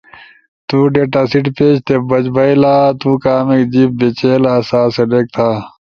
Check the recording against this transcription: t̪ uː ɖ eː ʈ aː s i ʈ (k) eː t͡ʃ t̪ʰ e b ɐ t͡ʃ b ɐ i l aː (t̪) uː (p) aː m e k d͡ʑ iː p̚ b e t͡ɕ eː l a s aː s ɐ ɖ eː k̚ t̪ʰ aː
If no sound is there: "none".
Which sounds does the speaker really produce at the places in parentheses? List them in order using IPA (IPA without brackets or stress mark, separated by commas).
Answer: p, t̪, k